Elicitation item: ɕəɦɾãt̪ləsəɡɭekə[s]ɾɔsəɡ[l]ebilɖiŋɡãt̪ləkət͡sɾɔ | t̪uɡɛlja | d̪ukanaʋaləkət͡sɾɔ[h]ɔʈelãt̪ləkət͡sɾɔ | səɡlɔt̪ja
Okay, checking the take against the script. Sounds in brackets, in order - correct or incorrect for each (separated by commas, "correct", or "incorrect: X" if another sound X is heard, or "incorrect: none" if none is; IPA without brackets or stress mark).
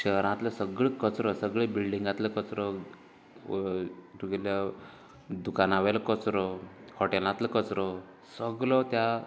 incorrect: t͡s, incorrect: ɭ, correct